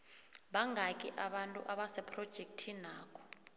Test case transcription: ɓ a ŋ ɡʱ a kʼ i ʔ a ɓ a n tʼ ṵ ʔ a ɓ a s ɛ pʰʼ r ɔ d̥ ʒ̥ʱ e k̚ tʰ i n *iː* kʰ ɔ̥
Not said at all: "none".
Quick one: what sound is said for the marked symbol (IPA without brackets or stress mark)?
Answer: aː